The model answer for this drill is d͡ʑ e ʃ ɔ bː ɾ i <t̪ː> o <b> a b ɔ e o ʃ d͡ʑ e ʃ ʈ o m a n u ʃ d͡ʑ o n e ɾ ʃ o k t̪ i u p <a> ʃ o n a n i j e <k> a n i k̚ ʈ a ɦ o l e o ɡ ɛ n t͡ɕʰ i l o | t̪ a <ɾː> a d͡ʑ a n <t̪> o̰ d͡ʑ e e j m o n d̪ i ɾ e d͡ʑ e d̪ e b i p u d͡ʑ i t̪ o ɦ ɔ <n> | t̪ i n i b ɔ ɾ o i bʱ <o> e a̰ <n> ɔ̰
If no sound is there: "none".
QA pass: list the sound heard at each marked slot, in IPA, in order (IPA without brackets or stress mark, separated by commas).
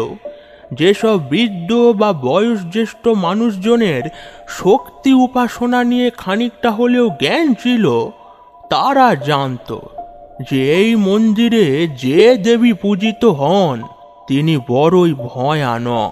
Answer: d̪ː, b, a, kʰ, ɾ, t̪, n, ɔ, n